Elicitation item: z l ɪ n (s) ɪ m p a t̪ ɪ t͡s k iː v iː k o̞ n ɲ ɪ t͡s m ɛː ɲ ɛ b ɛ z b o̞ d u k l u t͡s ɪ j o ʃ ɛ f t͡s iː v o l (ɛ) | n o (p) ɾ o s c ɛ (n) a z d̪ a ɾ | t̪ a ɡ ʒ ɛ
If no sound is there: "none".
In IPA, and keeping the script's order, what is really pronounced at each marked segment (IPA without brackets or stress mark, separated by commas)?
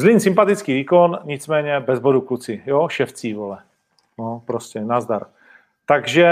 s, ɛ, p, n